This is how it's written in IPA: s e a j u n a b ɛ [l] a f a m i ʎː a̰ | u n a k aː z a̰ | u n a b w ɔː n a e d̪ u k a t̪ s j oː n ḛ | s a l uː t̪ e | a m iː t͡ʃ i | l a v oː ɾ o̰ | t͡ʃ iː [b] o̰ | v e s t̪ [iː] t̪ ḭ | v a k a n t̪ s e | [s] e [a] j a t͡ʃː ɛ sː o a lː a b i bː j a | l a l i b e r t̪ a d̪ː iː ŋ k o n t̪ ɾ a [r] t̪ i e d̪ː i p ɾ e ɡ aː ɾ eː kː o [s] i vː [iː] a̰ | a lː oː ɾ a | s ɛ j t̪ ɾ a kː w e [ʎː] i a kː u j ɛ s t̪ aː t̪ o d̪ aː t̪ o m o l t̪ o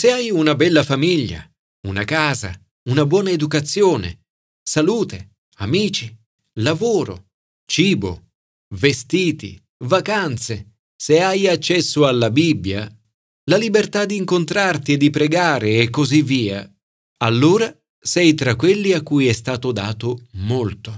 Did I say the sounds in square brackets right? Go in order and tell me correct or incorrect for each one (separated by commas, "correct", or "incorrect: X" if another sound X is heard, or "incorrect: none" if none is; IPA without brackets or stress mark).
incorrect: lː, correct, correct, correct, correct, correct, incorrect: z, correct, incorrect: lː